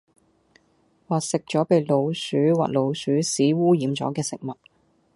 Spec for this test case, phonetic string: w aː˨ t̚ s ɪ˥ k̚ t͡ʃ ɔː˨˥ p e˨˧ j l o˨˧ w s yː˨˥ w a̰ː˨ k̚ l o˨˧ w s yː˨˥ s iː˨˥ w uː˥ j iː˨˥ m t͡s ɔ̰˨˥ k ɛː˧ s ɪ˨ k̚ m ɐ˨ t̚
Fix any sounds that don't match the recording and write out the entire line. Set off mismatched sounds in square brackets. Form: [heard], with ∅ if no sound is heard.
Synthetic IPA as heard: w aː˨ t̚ s [ɪ˨] k̚ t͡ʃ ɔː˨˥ p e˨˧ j l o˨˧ w s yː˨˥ w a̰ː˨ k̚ l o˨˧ w s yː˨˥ s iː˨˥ w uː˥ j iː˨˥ m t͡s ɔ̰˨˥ k ɛː˧ s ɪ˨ k̚ m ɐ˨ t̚